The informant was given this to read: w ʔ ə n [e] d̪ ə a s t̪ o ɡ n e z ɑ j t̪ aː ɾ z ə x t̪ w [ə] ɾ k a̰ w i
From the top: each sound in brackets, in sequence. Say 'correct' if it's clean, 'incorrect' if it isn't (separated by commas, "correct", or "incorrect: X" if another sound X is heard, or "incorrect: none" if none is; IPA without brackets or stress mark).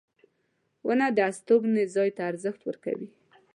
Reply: incorrect: a, correct